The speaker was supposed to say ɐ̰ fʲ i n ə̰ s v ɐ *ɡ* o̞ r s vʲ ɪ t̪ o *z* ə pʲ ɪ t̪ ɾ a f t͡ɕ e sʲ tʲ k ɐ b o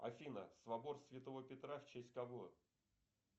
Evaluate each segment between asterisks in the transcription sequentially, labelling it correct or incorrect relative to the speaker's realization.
incorrect: b, incorrect: v

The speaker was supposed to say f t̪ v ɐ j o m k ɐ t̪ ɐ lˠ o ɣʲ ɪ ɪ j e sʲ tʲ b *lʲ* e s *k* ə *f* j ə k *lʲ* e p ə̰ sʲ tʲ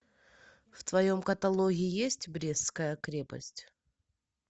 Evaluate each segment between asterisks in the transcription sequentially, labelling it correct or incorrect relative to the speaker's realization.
incorrect: ɾʲ, correct, incorrect: none, incorrect: ɾʲ

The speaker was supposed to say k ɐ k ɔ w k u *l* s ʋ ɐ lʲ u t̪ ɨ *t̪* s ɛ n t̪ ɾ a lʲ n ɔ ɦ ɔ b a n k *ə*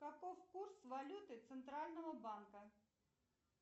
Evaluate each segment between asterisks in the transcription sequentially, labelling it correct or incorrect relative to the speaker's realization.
incorrect: r, correct, incorrect: ɐ

